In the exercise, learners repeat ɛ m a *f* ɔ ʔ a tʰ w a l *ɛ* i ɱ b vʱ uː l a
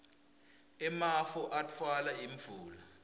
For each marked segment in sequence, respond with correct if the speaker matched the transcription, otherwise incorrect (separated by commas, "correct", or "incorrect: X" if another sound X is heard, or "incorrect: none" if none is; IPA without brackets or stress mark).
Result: correct, incorrect: a